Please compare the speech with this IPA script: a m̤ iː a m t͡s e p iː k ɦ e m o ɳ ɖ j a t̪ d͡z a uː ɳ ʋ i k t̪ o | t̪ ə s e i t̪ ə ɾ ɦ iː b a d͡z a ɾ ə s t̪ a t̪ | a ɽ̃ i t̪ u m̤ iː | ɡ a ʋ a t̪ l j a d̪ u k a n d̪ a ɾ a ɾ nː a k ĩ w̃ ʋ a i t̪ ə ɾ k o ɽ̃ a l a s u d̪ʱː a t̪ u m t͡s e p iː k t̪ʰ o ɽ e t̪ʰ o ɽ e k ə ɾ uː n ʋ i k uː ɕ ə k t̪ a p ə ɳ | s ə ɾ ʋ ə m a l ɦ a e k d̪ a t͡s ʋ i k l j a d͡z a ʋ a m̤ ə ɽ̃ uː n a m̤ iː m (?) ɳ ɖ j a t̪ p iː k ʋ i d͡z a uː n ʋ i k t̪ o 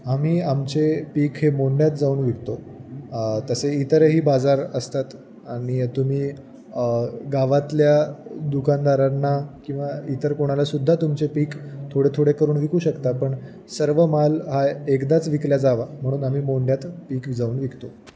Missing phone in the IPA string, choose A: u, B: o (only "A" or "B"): B